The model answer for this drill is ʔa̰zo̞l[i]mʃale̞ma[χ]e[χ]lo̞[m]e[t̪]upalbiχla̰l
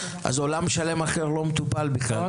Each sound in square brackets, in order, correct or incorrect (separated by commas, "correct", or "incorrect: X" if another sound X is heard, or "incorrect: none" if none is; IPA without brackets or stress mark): incorrect: a, correct, incorrect: ʁ, correct, correct